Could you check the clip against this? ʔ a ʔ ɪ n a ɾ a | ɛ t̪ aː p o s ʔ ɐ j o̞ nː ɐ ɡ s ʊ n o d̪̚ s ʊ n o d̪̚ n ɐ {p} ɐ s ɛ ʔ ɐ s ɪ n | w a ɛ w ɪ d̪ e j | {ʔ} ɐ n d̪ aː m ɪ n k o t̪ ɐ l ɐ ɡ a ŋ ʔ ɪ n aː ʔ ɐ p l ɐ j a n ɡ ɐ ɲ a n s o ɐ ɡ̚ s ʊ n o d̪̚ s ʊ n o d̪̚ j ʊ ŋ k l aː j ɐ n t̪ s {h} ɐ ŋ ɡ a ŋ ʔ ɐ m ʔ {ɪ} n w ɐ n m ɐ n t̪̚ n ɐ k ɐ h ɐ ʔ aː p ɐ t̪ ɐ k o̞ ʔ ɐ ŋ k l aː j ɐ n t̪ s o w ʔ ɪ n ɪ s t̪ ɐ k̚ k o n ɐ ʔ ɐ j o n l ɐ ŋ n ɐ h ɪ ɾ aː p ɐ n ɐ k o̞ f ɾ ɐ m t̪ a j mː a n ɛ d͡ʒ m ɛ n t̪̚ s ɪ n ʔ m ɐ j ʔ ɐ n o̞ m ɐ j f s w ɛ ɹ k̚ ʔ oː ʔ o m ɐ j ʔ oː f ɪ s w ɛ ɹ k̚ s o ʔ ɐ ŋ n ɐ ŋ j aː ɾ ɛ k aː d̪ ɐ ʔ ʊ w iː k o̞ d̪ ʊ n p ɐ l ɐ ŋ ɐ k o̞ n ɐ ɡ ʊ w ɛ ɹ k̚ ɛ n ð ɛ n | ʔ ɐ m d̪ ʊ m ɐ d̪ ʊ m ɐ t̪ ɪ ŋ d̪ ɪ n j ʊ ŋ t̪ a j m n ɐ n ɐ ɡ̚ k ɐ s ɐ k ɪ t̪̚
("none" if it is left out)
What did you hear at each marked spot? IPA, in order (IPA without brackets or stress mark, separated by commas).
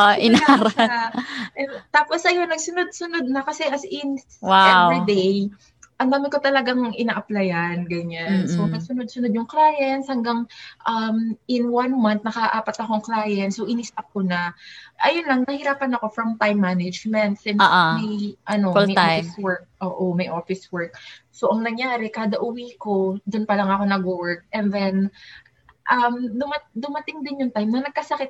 k, ʔ, h, ɪ